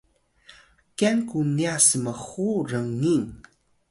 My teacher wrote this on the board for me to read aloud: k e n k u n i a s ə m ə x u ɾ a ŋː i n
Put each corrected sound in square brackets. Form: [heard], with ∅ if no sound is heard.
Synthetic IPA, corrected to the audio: k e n k u n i a s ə m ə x u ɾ [ə] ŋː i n